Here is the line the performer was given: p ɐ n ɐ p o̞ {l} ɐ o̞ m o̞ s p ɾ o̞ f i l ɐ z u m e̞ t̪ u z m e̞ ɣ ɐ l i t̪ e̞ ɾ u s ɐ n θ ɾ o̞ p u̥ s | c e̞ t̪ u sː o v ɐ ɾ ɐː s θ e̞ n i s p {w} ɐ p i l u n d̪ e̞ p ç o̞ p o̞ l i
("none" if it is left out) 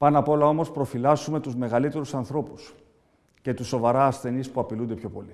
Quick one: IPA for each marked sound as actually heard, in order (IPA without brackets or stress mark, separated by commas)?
l, u